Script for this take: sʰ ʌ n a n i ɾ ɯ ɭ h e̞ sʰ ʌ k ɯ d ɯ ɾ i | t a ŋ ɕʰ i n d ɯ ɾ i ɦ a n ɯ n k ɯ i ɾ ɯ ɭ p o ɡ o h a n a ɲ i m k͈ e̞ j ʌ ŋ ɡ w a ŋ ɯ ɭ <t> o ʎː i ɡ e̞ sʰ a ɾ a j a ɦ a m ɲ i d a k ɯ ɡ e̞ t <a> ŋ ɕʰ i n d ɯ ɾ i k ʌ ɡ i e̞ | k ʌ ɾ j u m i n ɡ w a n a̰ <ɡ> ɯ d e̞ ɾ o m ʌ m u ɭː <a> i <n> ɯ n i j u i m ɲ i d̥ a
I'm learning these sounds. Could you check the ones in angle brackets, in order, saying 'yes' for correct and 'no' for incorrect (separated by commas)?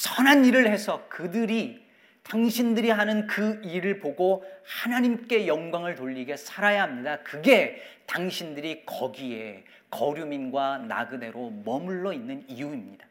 yes, yes, yes, no, no